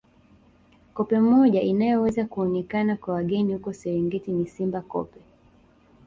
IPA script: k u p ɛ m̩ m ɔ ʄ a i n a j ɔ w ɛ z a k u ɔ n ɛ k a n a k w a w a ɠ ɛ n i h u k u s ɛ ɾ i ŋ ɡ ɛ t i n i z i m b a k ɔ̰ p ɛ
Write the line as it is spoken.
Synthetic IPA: k ɔ p ɛ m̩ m ɔ ʄ a i n a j ɔ w ɛ z a k u ɔ n ɛ k a n a k w a w a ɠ ɛ n i h u k ɔ s ɛ ɾ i ŋ ɡ ɛ t i n i s i m b a k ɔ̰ p ɛ